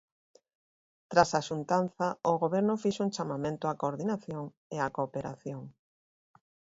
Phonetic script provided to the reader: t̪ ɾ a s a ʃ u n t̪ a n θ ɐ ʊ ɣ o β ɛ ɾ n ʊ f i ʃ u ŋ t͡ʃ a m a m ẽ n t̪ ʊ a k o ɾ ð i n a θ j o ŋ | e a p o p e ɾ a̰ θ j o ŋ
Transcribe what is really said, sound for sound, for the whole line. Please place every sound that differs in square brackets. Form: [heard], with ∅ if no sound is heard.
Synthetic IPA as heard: t̪ ɾ a s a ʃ u n t̪ a n θ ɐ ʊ ɣ o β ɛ ɾ n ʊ f i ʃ u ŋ t͡ʃ a m a m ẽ n t̪ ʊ a k o ɾ ð i n a θ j o ŋ | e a [k] o p e ɾ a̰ θ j o ŋ